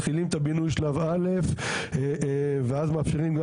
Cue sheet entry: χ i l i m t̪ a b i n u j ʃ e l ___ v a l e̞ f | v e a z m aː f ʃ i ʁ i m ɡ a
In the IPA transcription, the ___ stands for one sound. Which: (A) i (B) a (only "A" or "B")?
B